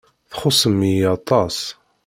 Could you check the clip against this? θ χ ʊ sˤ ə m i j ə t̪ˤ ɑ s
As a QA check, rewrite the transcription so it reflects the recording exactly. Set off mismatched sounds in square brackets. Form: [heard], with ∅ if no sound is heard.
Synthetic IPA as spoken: θ χ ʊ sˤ ə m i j [ɑ] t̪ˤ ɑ s